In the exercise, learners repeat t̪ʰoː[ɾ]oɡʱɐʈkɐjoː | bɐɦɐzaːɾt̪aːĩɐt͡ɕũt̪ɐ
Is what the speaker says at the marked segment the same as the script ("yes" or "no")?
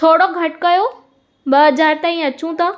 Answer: no